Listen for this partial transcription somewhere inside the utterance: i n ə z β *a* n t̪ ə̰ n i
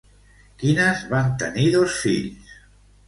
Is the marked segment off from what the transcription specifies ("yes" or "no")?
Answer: no